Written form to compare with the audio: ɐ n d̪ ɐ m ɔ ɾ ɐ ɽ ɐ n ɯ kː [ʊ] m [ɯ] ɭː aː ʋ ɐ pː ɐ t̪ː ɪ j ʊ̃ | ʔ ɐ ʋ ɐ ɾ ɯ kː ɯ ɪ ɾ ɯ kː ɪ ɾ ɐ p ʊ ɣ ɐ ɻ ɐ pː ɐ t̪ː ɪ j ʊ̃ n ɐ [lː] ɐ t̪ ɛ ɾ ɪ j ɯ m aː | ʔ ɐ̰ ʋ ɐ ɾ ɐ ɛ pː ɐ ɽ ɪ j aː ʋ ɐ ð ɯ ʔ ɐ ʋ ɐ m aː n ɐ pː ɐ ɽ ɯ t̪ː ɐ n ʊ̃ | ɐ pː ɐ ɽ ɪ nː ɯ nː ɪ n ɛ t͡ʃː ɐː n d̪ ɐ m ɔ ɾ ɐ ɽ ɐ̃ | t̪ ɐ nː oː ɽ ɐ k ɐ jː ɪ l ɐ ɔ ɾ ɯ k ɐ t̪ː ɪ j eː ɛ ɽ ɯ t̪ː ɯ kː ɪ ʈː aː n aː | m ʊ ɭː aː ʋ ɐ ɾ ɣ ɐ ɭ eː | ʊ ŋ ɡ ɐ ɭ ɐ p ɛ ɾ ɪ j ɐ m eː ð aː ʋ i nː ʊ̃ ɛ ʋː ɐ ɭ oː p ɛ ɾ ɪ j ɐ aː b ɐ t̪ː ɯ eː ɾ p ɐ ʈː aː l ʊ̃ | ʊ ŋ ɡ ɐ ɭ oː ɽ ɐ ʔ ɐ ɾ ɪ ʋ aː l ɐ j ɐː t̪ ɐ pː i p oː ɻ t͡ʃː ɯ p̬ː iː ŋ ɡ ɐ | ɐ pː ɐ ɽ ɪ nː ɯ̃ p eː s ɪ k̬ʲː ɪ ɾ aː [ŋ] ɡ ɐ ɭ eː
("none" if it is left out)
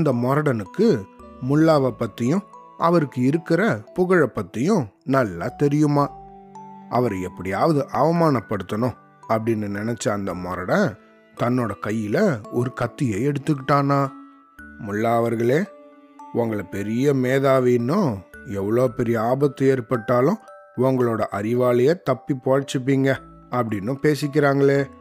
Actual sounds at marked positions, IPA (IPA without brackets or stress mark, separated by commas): ɯ, ʊ, lː, ŋ